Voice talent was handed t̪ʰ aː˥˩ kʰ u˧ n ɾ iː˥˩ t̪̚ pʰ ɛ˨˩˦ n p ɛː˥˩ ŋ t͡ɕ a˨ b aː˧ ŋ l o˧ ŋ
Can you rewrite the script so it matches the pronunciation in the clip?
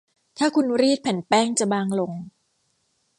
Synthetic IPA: t̪ʰ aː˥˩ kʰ u˧ n ɾ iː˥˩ t̪̚ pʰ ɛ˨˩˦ n p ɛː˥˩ ŋ t͡ɕ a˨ b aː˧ ŋ l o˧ ŋ

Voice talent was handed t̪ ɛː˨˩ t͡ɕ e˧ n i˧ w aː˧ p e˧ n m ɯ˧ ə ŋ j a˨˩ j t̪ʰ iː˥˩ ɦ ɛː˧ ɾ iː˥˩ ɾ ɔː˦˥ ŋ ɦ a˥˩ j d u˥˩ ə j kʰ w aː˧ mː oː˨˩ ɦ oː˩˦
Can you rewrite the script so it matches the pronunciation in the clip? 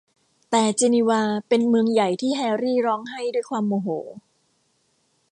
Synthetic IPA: t̪ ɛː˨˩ t͡ɕ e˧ n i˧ w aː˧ p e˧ n m ɯ˧ ə ŋ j a˨˩ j t̪ʰ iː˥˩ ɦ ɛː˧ ɾ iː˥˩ ɾ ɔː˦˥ ŋ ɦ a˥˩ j d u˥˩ ə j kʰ w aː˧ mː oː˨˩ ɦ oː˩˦

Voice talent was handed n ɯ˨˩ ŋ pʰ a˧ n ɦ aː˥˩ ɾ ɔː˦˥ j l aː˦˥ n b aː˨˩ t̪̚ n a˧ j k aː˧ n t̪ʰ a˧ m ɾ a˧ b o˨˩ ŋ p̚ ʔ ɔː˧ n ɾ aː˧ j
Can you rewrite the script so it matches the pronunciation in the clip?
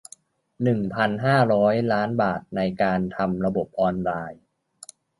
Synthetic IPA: n ɯ˨˩ ŋ pʰ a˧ n ɦ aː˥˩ ɾ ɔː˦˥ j l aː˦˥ n b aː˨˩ t̪̚ n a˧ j k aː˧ n t̪ʰ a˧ m ɾ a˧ b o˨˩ p̚ ʔ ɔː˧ n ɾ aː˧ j

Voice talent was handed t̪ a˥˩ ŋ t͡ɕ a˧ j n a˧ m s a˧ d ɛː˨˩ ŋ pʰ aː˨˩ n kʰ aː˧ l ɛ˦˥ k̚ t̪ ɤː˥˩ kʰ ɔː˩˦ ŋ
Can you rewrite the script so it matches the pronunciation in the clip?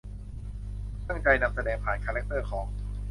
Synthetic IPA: t̪ a˥˩ ŋ t͡ɕ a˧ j n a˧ m s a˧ d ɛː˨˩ ŋ pʰ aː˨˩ n kʰ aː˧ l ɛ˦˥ k̚ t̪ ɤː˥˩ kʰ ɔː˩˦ ŋ

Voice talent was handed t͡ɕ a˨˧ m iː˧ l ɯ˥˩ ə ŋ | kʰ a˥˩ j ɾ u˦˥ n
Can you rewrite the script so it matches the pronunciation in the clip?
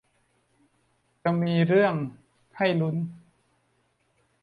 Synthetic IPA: t͡ɕ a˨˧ m iː˧ ɾ ɯ˥˩ ə ŋ | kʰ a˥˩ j l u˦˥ n

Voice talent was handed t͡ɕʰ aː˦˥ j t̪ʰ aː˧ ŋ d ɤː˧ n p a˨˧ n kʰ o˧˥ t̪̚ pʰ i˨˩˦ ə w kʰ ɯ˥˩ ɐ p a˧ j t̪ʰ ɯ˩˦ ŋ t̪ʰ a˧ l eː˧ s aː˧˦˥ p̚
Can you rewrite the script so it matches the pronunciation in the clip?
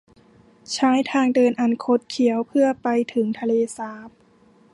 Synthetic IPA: t͡ɕʰ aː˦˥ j t̪ʰ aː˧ ŋ d ɤː˧ n ʔ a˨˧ n kʰ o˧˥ t̪̚ kʰ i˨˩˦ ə w pʰ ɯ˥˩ ɐ p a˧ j t̪ʰ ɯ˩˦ ŋ t̪ʰ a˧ l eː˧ s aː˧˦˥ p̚

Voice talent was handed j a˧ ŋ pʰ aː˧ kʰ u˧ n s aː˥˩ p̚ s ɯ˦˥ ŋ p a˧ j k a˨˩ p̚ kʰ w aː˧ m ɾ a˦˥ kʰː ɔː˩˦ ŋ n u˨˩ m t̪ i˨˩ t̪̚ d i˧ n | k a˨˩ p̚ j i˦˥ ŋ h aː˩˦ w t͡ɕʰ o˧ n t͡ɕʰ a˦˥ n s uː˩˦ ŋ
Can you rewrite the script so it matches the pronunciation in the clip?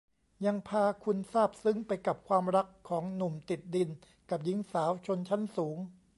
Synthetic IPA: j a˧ ŋ pʰ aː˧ kʰ u˧ n s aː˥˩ p̚ s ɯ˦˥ ŋ p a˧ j k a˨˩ p̚ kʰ w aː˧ m ɾ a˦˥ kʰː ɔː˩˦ ŋ n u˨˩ m t̪ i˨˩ t̪̚ d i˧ n | k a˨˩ p̚ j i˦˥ ŋ s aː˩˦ w t͡ɕʰ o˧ n t͡ɕʰ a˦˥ n s uː˩˦ ŋ

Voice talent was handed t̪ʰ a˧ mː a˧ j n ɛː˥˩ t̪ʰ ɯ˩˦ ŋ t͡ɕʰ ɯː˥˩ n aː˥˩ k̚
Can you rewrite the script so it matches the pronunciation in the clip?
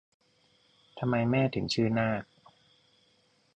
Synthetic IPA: t̪ʰ a˧ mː a˧ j m ɛː˥˩ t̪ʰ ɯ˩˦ ŋ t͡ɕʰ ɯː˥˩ n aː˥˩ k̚

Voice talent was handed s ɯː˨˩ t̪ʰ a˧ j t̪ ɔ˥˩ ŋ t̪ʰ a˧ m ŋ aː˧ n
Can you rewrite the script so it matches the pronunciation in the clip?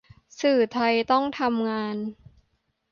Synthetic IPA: s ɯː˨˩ t̪ʰ a˧ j t̪ ɔ˥˩ ŋ t̪ʰ a˧ m ŋ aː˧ n

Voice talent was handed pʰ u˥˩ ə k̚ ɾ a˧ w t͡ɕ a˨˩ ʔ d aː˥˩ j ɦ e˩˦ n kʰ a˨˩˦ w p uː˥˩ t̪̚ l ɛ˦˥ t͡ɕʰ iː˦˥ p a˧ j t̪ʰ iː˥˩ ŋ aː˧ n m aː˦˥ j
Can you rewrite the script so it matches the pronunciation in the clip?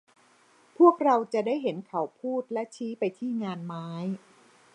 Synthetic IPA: pʰ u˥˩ ə k̚ ɾ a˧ w t͡ɕ a˨˩ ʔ d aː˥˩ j ɦ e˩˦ n kʰ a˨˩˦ w pʰ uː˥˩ t̪̚ l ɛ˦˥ t͡ɕʰ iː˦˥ p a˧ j t̪ʰ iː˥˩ ŋ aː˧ n m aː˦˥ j

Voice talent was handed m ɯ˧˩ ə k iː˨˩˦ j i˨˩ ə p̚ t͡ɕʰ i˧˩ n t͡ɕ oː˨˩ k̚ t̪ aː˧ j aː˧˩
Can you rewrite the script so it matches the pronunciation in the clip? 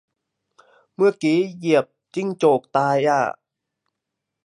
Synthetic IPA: m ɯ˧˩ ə k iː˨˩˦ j i˨˩ ə p̚ t͡ɕ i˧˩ ŋ t͡ɕ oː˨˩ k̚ t̪ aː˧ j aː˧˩

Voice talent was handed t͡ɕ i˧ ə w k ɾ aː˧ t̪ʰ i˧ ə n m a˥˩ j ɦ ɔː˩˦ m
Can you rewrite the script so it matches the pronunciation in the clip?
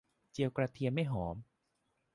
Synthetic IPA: t͡ɕ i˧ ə w k ɾ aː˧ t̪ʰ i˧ ə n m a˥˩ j ɦ ɔː˩˦ m

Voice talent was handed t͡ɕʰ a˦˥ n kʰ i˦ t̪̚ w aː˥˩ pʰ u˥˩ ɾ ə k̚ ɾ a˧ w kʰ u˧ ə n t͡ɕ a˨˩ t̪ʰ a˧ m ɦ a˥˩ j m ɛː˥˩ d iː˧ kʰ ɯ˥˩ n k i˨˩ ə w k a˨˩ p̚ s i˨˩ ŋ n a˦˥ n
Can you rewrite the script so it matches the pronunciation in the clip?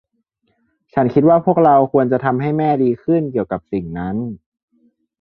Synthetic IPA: t͡ɕʰ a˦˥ n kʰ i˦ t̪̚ w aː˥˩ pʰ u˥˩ ə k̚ ɾ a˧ w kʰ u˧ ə n t͡ɕ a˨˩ t̪ʰ a˧ m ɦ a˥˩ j m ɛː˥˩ d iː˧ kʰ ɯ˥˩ n k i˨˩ ə w k a˨˩ p̚ s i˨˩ ŋ n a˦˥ n

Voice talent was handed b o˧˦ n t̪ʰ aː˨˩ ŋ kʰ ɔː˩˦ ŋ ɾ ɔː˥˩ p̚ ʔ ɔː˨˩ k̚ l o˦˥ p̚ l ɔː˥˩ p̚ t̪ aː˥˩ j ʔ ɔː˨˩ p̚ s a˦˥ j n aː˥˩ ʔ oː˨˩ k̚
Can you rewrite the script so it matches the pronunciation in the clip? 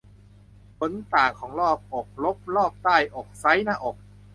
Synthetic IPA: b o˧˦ n t̪ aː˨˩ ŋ kʰ ɔː˩˦ ŋ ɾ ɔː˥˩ p̚ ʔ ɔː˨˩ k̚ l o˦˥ p̚ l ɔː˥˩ p̚ t̪ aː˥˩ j ʔ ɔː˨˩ k̚ s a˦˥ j n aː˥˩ ʔ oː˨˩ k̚

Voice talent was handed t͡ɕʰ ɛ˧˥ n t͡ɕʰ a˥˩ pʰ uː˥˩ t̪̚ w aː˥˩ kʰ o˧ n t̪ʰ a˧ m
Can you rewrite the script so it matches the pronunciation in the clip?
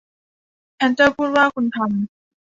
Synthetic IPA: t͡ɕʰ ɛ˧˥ n t͡ɕ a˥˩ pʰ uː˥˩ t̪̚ w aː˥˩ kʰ u˧ n t̪ʰ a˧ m

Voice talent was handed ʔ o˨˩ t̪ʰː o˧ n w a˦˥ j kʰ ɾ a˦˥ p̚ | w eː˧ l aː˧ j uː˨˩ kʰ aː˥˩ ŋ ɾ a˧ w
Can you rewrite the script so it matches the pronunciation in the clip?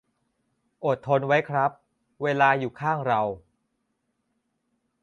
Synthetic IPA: ʔ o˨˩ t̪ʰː o˧ n w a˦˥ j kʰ ɾ a˦˥ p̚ | w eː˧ l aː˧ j uː˨˩ kʰ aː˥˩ ŋ ɾ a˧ w

